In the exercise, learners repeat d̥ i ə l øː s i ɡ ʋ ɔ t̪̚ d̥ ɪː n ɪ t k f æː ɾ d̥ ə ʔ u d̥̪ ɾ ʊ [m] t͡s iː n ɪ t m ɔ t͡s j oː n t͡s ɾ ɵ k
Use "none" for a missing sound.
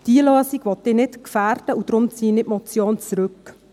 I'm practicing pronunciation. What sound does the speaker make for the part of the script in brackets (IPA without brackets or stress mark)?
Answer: m